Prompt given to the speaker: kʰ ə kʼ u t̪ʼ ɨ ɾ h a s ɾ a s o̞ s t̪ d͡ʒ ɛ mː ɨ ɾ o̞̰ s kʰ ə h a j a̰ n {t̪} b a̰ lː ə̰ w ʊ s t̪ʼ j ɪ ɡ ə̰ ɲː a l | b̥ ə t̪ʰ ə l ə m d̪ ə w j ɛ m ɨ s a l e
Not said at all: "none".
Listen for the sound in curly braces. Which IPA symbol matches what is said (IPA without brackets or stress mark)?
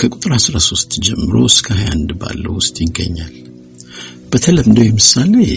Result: d̪